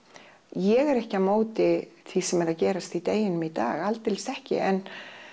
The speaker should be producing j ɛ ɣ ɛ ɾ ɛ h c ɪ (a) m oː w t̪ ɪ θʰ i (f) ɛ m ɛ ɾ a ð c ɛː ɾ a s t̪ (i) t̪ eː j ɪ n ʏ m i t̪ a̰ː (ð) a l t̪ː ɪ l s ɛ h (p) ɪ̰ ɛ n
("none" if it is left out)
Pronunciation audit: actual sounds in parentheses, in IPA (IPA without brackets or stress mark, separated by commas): a, s, i, ɣ, c